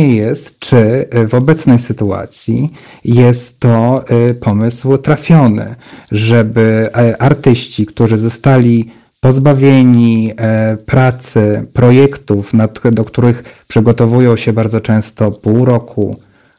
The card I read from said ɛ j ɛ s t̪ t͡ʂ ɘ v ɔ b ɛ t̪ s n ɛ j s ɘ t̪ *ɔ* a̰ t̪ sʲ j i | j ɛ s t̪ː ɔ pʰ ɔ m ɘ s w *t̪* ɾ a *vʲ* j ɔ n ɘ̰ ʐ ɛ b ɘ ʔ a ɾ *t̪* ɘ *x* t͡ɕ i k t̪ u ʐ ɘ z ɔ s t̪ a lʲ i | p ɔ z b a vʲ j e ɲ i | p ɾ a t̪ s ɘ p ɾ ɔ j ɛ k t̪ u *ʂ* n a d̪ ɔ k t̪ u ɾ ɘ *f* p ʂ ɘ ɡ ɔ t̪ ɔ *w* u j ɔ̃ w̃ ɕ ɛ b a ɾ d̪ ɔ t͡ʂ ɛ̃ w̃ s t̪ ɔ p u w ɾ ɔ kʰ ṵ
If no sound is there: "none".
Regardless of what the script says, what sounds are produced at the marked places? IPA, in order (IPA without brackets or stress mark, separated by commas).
u, t̪, fʲ, t̪, ɕ, f, x, v